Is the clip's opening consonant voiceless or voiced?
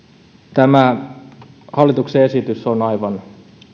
voiceless